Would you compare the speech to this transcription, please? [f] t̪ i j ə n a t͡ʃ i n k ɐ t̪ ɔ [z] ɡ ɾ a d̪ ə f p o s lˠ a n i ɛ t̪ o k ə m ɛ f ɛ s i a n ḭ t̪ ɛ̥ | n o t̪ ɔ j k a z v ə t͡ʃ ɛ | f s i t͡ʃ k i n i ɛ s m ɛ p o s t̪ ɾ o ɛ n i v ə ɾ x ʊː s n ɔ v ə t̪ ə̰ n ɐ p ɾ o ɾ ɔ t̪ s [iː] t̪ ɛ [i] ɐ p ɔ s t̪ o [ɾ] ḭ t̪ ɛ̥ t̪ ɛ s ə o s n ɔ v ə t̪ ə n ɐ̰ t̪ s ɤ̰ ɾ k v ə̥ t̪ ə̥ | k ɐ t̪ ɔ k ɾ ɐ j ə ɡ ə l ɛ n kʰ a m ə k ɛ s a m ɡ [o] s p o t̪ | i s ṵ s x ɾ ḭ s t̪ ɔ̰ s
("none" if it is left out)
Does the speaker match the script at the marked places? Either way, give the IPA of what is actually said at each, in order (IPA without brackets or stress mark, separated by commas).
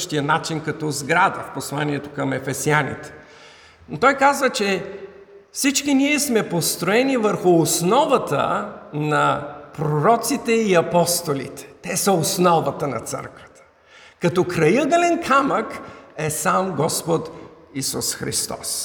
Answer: ʃ, z, i, i, l, ɔ